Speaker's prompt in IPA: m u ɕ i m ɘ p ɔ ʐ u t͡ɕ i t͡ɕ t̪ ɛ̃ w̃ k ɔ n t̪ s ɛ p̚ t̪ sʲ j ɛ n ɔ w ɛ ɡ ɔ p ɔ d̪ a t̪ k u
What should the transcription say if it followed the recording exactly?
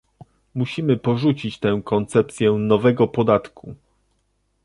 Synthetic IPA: m u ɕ i m ɘ p ɔ ʐ u t͡ɕ i t͡ɕ t̪ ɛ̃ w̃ k ɔ n t̪ s ɛ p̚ t̪ sʲ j ɛ n ɔ v ɛ ɡ ɔ p ɔ d̪ a t̪ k u

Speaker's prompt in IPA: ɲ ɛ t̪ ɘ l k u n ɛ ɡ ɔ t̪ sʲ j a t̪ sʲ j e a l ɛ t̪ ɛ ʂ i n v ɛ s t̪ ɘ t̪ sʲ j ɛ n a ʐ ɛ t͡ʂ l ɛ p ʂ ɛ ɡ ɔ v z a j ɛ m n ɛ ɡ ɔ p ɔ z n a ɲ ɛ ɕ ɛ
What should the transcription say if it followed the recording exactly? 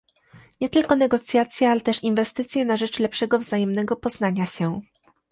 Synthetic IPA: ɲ ɛ t̪ ɘ l k ɔ n ɛ ɡ ɔ t̪ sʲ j a t̪ sʲ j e a l ɛ t̪ ɛ ʂ i n v ɛ s t̪ ɘ t̪ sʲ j ɛ n a ʐ ɛ t͡ʂ l ɛ p ʂ ɛ ɡ ɔ v z a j ɛ m n ɛ ɡ ɔ p ɔ z n a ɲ a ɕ ɛ

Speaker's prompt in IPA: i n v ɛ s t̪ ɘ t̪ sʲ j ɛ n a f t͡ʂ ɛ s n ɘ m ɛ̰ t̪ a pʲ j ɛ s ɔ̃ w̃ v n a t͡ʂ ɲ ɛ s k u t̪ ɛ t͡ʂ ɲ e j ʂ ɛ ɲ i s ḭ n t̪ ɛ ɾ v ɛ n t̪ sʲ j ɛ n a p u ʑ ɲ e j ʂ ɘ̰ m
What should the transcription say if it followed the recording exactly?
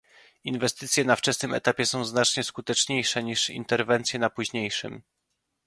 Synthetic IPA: i n v ɛ s t̪ ɘ t̪ sʲ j ɛ n a f t͡ʂ ɛ s n ɘ m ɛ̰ t̪ a pʲ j ɛ s ɔ̃ w̃ z n a t͡ʂ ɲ ɛ s k u t̪ ɛ t͡ʂ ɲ e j ʂ ɛ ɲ i ʂ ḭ n t̪ ɛ ɾ v ɛ n t̪ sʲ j ɛ n a p u ʑ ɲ e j ʂ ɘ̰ m

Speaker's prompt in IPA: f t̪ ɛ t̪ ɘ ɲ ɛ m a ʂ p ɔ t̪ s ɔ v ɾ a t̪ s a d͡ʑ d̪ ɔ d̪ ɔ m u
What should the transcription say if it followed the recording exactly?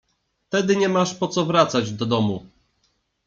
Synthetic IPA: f t̪ ɛ d̪ ɘ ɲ ɛ m a ʂ p ɔ t̪ s ɔ v ɾ a t̪ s a d͡ʑ d̪ ɔ d̪ ɔ m u

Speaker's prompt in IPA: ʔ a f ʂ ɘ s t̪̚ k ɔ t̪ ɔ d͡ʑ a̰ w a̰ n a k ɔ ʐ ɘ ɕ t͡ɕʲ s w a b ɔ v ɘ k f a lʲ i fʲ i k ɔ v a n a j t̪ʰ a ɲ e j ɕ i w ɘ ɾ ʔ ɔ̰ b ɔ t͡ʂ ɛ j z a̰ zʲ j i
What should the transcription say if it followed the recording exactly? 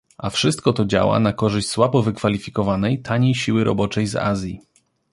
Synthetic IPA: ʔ a f ʂ ɘ s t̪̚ k ɔ t̪ ɔ d͡ʑ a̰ w a̰ n a k ɔ ʐ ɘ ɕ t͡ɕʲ s w a b ɔ v ɘ k f a lʲ i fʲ i k ɔ v a n ɛ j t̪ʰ a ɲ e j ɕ i w ɘ ɾ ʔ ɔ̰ b ɔ t͡ʂ ɛ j z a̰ zʲ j i

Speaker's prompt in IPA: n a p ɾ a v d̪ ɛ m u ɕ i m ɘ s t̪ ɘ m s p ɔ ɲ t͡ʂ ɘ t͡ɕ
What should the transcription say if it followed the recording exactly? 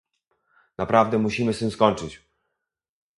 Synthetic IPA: n a p ɾ a v d̪ ɛ m u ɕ i m ɘ s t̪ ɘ m s k ɔ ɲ t͡ʂ ɘ t͡ɕ

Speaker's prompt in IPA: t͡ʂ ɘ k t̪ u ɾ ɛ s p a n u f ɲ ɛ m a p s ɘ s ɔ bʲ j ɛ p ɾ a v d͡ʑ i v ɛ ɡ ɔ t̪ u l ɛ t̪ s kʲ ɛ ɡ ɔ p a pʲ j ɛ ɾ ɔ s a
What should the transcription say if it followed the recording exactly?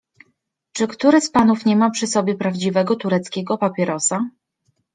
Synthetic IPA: t͡ʂ ɘ k t̪ u ɾ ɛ s p a n u f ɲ ɛ m a p ʂ ɘ s ɔ bʲ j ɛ p ɾ a v d͡ʑ i v ɛ ɡ ɔ t̪ u ɾ ɛ t̪ s kʲ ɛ ɡ ɔ p a pʲ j ɛ ɾ ɔ s a

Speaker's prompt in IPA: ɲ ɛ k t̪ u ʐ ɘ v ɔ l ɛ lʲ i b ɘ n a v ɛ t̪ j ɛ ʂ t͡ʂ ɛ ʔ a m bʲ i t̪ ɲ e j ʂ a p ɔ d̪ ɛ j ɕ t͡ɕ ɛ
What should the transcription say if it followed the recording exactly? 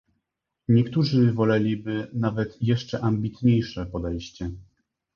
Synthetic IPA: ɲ ɛ k t̪ u ʐ ɘ v ɔ l ɛ lʲ i b ɘ n a v ɛ t̪ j ɛ ʂ t͡ʂ ɛ ʔ a m bʲ i t̪ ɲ e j ʂ ɛ p ɔ d̪ ɛ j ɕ t͡ɕ ɛ

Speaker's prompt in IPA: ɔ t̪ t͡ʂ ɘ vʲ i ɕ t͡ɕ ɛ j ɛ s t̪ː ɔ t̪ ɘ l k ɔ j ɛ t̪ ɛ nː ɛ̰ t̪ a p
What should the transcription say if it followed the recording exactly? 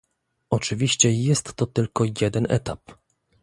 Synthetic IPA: ɔ t͡ʂ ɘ vʲ i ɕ t͡ɕ ɛ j ɛ s t̪ː ɔ t̪ ɘ l k ɔ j ɛ d̪ ɛ n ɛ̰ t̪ a p

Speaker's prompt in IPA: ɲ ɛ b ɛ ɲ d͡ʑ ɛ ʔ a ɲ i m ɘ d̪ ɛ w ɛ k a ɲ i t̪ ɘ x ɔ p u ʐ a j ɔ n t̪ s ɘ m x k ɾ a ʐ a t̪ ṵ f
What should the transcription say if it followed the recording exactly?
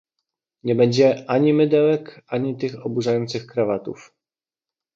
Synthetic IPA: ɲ ɛ b ɛ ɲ d͡ʑ ɛ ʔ a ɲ i m ɘ d̪ ɛ w ɛ k a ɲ i t̪ ɘ x ɔ b u ʐ a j ɔ n t̪ s ɘ x k ɾ a v a t̪ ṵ f

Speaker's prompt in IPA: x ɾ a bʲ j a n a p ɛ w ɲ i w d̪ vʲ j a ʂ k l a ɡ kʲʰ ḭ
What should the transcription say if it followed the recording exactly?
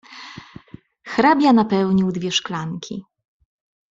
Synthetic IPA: x ɾ a bʲ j a n a p ɛ w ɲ i w d̪ vʲ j ɛ ʂ k l a ŋ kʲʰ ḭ

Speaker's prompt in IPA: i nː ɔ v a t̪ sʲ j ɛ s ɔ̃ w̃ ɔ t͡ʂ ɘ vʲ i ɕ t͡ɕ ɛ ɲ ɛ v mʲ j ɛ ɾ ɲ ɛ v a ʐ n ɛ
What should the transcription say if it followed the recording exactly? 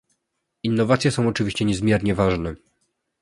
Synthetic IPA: i nː ɔ v a t̪ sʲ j ɛ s ɔ̃ w̃ ɔ t͡ʂ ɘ vʲ i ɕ t͡ɕ ɛ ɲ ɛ z mʲ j ɛ ɾ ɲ ɛ v a ʐ n ɛ

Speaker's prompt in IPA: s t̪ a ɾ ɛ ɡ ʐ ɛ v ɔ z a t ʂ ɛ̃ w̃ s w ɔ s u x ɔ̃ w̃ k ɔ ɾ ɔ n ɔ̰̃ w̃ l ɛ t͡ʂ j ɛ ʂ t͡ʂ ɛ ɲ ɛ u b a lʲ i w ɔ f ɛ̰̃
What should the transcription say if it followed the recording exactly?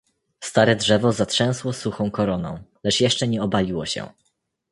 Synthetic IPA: s t̪ a ɾ ɛ d ʐ ɛ v ɔ z a t ʂ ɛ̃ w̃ s w ɔ s u x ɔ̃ w̃ k ɔ ɾ ɔ n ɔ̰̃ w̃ l ɛ t͡ʂ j ɛ ʂ t͡ʂ ɛ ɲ ɛ ɔ b a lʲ i w ɔ ɕ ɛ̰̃

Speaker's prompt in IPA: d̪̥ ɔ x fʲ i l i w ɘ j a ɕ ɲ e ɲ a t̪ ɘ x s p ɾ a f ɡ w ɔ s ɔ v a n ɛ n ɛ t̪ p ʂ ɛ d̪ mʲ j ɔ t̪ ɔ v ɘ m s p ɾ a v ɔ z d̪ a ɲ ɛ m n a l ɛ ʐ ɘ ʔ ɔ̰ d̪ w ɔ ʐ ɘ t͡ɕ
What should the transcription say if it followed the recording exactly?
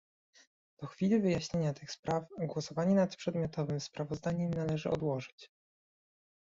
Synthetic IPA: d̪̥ ɔ x fʲ i l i v ɘ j a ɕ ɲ e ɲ a t̪ ɘ x s p ɾ a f ɡ w ɔ s ɔ v a ɲ ɛ n a t̪ p ʂ ɛ d̪ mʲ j ɔ t̪ ɔ v ɘ m s p ɾ a v ɔ z d̪ a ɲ ɛ m n a l ɛ ʐ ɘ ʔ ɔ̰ d̪ w ɔ ʐ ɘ t͡ɕ

